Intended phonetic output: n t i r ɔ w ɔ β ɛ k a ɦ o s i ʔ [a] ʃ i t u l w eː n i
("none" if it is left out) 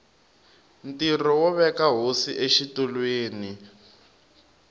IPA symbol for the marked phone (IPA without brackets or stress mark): e